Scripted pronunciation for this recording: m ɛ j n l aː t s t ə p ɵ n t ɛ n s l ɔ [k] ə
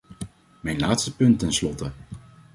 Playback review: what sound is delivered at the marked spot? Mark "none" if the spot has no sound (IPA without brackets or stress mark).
t